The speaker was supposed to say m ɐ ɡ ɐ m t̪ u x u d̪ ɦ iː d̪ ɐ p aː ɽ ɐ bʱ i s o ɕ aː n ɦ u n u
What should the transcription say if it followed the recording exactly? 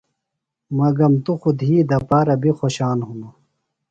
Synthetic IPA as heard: m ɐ ɡ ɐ m t̪ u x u d̪ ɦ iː d̪ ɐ p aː ɾ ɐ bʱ i x o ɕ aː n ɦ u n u